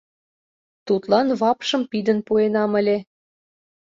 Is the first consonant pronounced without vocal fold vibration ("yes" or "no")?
yes